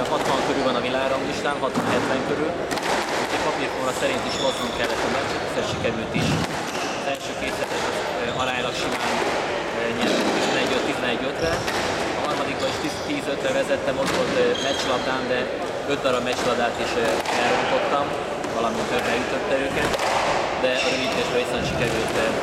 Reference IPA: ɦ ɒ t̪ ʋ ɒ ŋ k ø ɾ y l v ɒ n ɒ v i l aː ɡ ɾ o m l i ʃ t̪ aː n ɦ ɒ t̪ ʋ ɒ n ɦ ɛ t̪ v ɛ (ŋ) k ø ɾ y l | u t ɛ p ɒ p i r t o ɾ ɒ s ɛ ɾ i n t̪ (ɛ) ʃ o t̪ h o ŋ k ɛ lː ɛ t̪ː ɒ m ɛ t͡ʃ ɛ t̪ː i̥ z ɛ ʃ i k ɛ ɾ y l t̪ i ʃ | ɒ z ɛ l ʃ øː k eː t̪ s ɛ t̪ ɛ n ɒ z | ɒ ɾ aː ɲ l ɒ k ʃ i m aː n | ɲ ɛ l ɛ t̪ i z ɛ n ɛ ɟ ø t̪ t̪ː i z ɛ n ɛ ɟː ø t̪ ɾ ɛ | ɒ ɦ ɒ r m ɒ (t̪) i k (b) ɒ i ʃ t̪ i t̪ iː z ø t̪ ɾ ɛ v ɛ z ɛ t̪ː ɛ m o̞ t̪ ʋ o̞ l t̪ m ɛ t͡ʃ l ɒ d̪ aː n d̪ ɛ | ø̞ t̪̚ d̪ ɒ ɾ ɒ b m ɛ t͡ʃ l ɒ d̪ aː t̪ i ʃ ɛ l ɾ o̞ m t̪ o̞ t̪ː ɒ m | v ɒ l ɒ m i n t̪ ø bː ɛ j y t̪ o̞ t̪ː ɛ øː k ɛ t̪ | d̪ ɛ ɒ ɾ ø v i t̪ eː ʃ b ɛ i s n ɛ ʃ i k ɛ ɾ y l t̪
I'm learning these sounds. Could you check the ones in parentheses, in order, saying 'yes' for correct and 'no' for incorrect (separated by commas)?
yes, no, no, yes